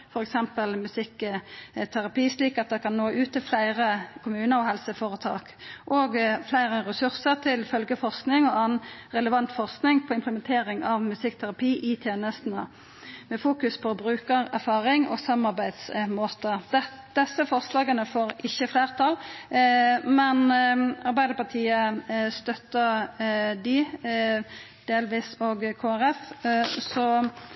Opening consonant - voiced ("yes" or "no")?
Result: no